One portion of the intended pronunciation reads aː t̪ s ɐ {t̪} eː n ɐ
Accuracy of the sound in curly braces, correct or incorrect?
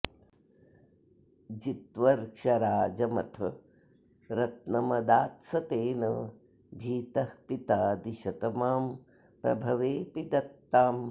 correct